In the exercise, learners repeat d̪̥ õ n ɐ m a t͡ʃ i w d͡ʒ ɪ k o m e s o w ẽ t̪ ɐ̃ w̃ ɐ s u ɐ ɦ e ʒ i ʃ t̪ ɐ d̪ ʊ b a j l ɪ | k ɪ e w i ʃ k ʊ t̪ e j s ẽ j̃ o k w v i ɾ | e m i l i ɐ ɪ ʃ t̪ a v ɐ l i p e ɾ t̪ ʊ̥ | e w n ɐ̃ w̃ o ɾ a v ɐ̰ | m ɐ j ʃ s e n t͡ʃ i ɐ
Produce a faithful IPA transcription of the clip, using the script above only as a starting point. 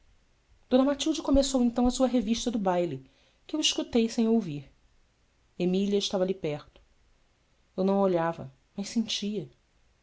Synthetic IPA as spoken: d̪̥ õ n ɐ m a t͡ʃ i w d͡ʒ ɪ k o m e s o w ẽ t̪ ɐ̃ w̃ ɐ s u ɐ ɦ e v i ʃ t̪ ɐ d̪ ʊ b a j l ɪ | k ɪ e w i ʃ k u t̪ e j s ẽ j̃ o w v i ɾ | e m i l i ɐ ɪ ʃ t̪ a v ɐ l i p ɛ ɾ t̪ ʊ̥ | e w n ɐ̃ w̃ o ʎ a v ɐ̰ | m ɐ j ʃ s ẽ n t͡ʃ i ɐ

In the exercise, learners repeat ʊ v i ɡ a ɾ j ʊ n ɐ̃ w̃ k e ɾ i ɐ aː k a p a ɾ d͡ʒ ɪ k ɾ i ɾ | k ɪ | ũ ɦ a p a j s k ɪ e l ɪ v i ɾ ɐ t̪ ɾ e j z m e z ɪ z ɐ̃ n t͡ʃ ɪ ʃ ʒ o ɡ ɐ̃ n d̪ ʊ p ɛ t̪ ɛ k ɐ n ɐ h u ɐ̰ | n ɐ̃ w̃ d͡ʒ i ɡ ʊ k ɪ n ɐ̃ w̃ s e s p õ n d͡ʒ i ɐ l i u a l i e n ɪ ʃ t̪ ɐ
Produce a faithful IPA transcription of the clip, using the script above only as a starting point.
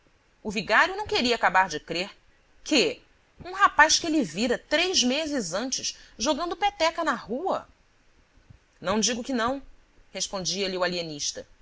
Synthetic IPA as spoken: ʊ v i ɡ a ɾ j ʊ n ɐ̃ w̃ k e ɾ i ɐ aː k a b a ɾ d͡ʒ ɪ k ɾ e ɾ | k ɪ | ũ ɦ a p a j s k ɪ e l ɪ v i ɾ ɐ t̪ ɾ e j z m e z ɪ z ɐ̃ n t͡ʃ ɪ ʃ ʒ o ɡ ɐ̃ n d̪ ʊ p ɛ t̪ ɛ k ɐ n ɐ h u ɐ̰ | n ɐ̃ w̃ d͡ʒ i ɡ ʊ k ɪ n ɐ̃ w̃ h e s p õ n d͡ʒ i ɐ l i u a l i e n i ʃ t̪ ɐ

